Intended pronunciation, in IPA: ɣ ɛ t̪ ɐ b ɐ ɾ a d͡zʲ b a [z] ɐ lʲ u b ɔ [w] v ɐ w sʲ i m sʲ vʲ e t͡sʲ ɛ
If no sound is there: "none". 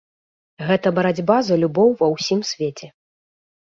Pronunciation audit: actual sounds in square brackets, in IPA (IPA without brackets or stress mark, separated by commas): z, w